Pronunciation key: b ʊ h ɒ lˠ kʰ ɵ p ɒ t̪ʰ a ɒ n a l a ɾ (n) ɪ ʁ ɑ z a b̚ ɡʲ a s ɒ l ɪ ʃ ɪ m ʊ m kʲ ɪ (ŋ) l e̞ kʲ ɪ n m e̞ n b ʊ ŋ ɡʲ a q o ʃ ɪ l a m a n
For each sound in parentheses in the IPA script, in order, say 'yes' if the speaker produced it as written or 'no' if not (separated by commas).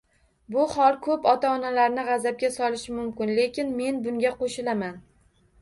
yes, no